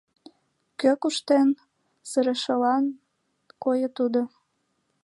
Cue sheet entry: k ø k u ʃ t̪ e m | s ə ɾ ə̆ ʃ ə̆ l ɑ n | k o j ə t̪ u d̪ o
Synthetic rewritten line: k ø k u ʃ t̪ e n | s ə ɾ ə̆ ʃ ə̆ l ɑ n | k o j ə t̪ u d̪ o